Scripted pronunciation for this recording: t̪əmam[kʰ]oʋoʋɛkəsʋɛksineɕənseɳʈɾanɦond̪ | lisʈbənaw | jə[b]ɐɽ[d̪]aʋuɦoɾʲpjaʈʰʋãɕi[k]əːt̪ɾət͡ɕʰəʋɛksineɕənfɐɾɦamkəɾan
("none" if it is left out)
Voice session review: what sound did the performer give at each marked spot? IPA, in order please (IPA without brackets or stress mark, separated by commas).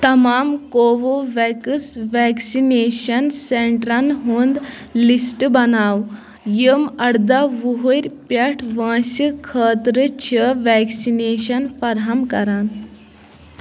k, m, d̪, kʰ